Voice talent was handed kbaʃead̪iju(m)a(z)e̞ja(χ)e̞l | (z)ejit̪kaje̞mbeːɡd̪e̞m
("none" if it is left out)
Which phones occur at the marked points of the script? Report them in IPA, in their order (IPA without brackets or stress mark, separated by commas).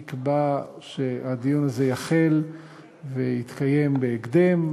n, z, χ, v